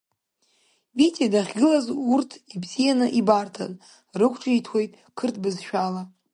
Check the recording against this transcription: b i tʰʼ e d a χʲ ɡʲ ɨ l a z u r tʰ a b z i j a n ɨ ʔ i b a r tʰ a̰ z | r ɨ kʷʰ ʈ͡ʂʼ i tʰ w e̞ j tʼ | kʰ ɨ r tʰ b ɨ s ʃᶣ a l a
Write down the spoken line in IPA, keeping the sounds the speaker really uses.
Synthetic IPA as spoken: b i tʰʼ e d a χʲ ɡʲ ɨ l a z u r tʰ i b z i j a n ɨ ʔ i b a r tʰ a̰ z | r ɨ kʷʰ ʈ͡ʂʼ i tʰ w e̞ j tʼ | kʰ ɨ r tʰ b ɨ z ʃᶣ a l a